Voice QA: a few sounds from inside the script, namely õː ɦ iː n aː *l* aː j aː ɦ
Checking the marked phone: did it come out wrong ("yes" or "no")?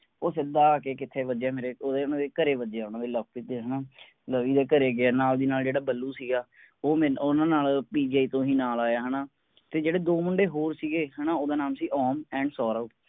no